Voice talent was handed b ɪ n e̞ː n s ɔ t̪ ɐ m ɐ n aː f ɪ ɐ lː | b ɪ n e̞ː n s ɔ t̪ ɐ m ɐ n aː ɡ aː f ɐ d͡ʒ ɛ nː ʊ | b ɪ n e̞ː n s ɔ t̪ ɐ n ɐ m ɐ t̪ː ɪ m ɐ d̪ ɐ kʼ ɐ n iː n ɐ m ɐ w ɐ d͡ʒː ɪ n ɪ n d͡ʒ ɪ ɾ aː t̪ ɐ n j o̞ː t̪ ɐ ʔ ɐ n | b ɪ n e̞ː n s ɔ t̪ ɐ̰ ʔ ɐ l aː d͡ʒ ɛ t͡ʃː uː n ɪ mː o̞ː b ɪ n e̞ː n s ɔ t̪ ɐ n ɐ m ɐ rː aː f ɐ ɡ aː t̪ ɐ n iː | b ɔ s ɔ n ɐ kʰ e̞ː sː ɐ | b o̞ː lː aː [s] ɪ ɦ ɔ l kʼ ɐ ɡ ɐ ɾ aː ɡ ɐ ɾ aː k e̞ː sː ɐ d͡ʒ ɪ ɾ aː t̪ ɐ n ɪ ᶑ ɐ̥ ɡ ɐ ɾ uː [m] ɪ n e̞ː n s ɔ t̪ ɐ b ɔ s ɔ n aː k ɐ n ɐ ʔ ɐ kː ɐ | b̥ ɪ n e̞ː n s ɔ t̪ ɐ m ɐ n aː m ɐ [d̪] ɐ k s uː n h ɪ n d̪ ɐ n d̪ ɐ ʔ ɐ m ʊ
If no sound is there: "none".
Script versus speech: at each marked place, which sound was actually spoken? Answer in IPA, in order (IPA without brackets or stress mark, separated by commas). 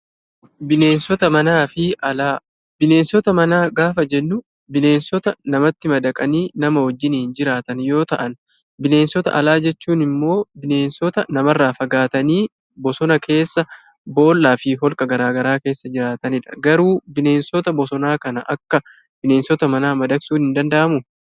f, b, d̪